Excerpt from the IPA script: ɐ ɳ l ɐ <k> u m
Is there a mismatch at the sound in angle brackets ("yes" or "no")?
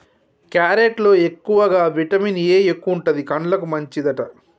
no